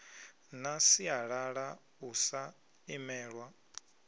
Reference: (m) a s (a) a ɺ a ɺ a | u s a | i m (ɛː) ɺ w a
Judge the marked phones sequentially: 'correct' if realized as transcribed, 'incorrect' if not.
incorrect: n, incorrect: i, correct

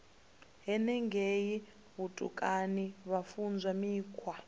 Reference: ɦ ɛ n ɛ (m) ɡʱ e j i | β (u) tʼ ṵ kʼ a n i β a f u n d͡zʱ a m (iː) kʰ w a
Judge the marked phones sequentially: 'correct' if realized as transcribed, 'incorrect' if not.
incorrect: ŋ, correct, correct

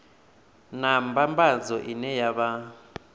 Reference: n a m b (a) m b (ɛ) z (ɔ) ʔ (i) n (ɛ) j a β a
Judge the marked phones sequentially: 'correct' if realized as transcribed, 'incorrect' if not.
correct, incorrect: a, correct, correct, correct

